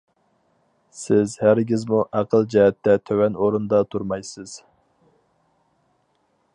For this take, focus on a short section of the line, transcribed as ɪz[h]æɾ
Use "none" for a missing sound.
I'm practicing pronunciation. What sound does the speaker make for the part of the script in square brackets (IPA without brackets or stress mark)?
h